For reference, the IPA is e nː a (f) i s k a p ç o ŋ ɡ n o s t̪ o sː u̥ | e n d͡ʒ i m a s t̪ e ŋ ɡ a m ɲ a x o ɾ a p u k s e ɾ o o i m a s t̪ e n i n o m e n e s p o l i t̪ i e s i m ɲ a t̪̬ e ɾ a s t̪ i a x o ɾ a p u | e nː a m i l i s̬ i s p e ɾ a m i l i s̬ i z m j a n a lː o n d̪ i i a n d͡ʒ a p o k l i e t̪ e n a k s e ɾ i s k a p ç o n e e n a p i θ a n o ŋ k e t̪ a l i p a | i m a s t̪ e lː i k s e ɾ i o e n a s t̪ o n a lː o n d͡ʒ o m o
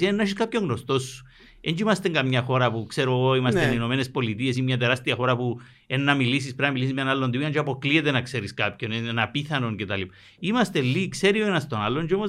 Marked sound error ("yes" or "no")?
yes